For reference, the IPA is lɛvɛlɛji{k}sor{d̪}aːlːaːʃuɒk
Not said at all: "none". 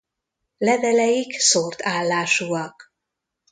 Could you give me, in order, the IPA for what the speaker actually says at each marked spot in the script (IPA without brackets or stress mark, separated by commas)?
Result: k, t̪